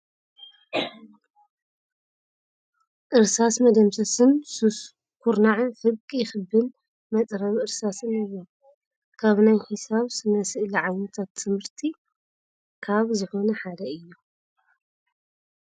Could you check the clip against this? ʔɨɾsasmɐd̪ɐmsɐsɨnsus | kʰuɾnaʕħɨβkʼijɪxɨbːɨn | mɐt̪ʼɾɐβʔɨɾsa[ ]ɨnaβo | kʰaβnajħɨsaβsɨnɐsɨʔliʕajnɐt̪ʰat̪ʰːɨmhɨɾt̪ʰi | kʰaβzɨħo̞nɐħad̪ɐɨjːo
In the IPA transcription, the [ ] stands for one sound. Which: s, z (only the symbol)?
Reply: s